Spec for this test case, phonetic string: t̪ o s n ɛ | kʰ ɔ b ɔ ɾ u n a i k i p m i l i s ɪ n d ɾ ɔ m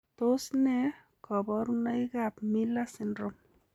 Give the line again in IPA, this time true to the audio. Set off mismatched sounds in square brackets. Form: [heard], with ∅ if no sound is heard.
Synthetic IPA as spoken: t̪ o s n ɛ | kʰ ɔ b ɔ ɾ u n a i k [a] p m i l [a] s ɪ n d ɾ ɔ m